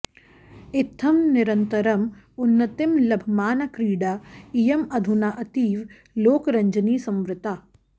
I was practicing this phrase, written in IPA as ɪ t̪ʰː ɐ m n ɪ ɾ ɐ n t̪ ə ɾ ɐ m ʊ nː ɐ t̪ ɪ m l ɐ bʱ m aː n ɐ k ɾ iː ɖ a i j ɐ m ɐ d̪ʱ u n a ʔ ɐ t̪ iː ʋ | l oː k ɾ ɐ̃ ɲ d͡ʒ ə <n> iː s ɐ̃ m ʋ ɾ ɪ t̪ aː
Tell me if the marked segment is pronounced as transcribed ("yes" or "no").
yes